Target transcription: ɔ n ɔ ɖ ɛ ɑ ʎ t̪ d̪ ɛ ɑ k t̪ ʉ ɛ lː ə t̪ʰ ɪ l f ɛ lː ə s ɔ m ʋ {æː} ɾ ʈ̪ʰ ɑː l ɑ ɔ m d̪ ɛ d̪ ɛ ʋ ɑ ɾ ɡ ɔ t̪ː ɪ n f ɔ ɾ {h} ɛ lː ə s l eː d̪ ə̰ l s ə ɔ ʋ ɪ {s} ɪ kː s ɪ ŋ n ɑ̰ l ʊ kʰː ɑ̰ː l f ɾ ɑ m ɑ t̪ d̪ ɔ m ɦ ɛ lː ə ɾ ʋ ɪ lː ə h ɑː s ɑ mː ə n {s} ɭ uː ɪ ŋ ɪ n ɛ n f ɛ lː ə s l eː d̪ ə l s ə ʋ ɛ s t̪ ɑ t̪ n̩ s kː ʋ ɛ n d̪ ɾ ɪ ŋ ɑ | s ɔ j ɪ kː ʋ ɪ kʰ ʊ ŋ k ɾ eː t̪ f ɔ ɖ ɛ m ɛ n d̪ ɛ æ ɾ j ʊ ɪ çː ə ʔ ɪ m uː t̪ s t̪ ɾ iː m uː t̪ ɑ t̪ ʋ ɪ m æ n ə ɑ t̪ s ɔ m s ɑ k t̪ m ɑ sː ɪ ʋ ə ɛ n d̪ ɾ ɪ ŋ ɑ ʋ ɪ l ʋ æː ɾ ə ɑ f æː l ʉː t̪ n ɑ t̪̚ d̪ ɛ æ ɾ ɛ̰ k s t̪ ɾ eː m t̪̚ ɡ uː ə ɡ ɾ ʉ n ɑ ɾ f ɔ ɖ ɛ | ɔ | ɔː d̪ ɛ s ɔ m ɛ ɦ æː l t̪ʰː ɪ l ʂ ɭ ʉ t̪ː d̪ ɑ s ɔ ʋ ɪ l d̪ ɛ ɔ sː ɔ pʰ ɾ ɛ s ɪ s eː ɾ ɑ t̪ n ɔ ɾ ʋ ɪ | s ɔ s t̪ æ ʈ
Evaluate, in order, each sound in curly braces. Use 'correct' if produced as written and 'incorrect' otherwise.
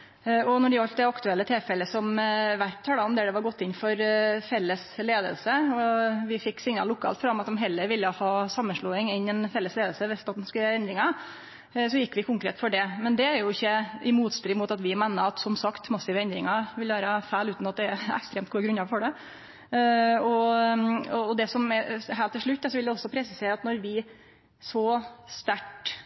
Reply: incorrect, incorrect, incorrect, incorrect

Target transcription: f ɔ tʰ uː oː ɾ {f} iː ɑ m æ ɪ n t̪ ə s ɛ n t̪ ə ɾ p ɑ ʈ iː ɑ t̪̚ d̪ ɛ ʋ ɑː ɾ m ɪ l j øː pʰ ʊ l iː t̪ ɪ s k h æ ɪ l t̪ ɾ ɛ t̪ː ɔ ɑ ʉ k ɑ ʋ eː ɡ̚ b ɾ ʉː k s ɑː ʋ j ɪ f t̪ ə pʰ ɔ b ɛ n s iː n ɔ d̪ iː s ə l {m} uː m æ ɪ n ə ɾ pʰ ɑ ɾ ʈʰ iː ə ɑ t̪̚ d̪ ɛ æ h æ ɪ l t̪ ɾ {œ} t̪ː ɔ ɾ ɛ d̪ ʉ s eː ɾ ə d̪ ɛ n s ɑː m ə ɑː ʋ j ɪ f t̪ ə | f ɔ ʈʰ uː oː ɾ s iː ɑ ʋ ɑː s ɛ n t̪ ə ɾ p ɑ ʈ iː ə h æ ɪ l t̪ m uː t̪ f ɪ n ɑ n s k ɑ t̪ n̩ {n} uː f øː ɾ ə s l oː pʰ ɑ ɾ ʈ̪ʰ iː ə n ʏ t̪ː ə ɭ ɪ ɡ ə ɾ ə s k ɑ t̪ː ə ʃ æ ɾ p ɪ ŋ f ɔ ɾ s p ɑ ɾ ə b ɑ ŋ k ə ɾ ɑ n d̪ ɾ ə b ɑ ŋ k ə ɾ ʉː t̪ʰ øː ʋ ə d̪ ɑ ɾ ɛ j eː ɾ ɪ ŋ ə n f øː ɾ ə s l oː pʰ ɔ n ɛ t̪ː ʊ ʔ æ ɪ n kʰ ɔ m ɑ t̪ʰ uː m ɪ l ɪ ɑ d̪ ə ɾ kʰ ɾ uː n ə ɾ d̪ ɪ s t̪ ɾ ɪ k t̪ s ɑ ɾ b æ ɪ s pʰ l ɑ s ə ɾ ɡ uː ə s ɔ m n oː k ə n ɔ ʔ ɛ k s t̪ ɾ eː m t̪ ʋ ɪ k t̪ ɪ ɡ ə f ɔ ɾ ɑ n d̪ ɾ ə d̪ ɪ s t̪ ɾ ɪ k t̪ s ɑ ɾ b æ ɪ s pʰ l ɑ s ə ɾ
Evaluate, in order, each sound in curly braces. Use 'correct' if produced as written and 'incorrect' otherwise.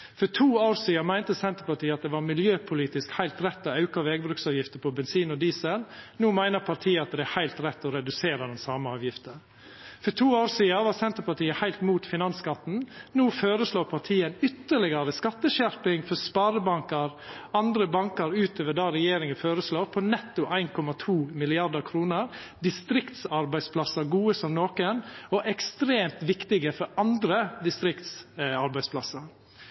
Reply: incorrect, incorrect, incorrect, correct

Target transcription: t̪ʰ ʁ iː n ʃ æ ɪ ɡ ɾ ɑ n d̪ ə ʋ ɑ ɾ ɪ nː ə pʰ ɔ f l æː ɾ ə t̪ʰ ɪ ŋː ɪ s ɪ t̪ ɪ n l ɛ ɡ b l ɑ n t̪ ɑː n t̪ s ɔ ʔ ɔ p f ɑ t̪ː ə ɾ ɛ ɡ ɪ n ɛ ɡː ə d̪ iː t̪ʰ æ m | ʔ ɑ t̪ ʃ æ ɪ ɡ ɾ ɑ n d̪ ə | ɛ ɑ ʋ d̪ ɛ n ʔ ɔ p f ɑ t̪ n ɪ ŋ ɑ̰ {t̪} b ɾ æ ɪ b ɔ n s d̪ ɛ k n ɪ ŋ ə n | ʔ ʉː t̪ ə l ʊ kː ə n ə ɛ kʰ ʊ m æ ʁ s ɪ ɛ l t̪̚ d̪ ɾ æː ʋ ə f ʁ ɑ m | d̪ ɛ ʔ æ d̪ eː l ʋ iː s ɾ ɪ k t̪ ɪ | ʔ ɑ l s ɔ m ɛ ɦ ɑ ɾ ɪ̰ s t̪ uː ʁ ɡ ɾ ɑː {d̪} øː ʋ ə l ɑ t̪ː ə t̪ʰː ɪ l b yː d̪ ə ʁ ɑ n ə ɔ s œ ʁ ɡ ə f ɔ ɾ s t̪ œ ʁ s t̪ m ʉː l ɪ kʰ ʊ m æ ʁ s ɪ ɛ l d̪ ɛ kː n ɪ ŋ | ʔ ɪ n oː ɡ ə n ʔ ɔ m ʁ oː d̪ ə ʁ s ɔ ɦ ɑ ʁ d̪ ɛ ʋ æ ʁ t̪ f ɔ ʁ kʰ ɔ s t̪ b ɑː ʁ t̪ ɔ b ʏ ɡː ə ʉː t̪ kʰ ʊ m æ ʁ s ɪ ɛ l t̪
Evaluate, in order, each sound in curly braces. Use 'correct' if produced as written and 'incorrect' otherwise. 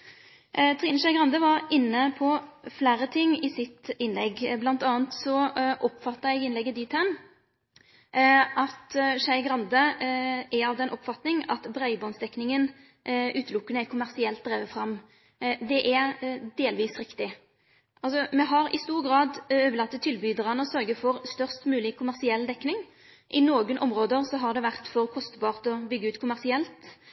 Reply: correct, correct

